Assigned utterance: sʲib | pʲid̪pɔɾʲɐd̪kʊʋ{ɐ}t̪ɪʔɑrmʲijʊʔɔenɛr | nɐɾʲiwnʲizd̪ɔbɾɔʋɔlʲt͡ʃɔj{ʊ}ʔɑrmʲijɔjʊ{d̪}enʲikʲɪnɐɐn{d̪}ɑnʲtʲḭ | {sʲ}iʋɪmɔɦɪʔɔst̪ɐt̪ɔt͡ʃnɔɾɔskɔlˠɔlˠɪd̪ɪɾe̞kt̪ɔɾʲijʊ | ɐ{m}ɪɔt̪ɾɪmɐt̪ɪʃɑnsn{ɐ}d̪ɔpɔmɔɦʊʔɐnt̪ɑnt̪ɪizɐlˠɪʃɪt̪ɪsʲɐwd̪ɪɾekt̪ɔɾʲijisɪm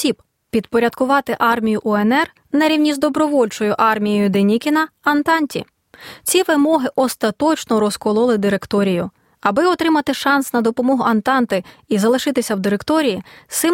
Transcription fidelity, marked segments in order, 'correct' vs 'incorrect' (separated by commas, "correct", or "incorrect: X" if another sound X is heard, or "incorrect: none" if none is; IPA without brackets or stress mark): incorrect: ɑ, correct, correct, incorrect: t̪, incorrect: t͡sʲ, incorrect: b, correct